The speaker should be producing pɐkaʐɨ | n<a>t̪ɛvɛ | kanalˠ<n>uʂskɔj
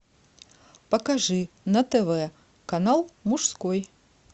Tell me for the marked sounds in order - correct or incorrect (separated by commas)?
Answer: incorrect, incorrect